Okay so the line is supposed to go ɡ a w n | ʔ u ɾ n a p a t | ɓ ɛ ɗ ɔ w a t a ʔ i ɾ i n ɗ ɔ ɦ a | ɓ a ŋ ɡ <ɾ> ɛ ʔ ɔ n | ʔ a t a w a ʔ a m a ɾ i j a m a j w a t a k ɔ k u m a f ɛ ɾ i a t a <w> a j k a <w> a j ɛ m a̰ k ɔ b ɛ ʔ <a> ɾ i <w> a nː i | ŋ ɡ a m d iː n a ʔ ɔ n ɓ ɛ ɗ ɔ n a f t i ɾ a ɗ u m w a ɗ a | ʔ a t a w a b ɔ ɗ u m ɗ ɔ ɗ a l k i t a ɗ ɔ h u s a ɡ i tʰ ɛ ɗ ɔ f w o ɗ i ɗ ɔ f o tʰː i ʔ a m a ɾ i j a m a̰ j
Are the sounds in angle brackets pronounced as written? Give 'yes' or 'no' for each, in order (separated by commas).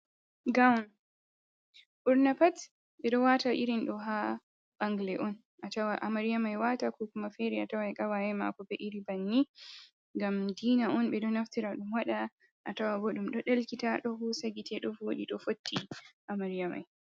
no, yes, yes, no, no